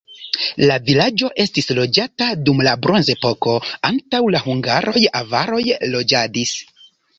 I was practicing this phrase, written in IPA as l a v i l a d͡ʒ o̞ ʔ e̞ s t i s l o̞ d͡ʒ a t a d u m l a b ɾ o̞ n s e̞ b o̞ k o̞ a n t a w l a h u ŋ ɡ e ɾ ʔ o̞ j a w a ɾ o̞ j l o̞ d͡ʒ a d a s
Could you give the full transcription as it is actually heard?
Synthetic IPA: l a v i l a d͡ʒ o̞ ʔ e̞ s t i s l o̞ d͡ʒ a t a d u m l a b ɾ o̞ n z e̞ p o̞ k o̞ a n t a w l a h u ŋ ɡ a ɾ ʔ o̞ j a v a ɾ o̞ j l o̞ d͡ʒ a d i s